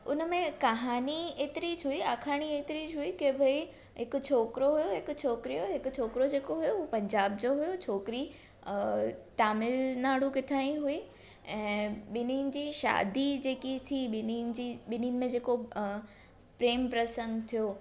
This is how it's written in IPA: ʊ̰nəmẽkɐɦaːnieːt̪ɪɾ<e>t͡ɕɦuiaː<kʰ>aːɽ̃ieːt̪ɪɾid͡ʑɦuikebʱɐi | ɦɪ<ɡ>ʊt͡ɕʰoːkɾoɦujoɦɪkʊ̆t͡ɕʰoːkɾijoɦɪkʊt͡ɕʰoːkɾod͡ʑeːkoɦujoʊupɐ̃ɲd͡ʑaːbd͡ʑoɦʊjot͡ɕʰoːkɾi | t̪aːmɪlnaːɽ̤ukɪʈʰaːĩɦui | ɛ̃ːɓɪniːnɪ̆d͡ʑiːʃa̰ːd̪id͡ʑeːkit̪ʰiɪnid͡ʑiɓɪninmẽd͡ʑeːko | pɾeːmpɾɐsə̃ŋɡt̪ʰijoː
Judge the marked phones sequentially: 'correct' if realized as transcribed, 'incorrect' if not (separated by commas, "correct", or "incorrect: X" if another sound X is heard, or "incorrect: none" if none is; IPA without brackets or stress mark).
incorrect: i, correct, incorrect: k